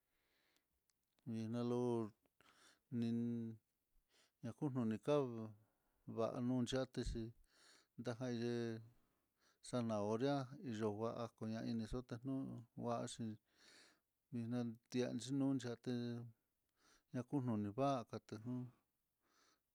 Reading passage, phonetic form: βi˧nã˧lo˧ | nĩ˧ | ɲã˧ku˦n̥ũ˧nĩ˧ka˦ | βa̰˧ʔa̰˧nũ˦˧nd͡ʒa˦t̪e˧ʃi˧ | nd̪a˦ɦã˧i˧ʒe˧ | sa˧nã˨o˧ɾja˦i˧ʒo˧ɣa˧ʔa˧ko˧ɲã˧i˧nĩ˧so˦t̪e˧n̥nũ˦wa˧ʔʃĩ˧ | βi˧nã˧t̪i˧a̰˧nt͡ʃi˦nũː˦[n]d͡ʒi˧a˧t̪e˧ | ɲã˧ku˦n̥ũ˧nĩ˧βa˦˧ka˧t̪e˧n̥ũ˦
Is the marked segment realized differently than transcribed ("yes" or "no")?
no